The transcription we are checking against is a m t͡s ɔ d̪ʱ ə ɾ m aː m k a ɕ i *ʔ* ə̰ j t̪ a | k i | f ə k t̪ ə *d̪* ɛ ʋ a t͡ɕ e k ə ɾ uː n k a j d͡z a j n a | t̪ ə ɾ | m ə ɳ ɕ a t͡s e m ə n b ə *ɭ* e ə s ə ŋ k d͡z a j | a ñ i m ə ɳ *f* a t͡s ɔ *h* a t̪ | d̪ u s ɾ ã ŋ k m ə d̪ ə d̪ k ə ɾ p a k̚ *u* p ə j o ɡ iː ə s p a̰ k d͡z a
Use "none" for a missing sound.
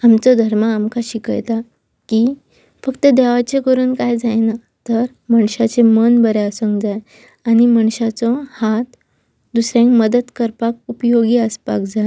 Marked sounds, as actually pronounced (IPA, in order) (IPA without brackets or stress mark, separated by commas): k, d̪, ɾ, ɕ, h, u